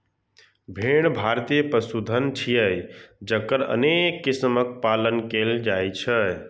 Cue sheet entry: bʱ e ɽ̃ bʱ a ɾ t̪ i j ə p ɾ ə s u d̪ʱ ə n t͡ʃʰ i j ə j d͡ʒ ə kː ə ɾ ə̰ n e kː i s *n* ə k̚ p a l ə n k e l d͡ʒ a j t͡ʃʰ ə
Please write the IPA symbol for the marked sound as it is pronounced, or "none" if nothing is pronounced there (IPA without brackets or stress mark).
m